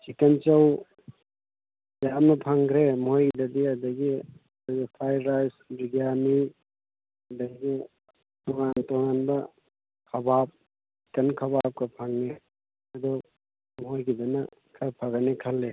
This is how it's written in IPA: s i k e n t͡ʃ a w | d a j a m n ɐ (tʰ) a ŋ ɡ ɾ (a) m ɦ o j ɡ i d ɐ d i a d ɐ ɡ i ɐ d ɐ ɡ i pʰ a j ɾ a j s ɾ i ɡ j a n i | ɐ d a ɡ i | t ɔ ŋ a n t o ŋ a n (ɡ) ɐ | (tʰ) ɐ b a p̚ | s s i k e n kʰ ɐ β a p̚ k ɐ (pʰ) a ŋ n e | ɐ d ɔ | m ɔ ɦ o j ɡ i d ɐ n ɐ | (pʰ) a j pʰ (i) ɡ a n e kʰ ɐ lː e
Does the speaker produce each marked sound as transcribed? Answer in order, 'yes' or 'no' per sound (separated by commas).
no, no, no, no, yes, no, no